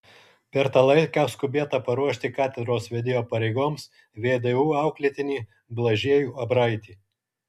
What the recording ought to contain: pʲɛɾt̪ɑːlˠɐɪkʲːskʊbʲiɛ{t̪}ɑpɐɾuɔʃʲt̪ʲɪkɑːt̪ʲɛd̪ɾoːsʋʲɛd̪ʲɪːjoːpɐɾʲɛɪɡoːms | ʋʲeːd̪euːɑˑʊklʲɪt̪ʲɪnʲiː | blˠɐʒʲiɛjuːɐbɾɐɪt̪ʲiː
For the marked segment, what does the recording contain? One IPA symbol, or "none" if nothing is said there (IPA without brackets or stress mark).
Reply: t̪